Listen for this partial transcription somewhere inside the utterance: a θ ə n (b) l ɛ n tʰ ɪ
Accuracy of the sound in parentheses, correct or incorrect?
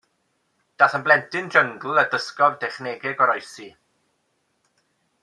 correct